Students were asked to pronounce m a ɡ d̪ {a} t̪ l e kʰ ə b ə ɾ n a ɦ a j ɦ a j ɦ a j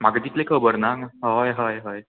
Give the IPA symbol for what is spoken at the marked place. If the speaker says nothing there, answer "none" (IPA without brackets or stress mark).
i